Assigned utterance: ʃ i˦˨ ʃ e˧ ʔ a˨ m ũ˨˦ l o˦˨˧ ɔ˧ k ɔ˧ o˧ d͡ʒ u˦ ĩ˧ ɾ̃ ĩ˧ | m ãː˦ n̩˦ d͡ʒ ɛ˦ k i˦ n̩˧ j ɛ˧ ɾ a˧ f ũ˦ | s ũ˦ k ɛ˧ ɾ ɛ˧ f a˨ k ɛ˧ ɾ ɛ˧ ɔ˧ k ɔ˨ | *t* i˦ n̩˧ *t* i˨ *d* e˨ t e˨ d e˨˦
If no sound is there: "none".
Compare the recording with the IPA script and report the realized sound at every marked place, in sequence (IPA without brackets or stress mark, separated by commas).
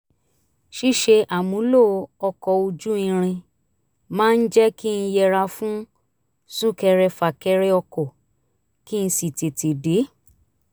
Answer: k, s, t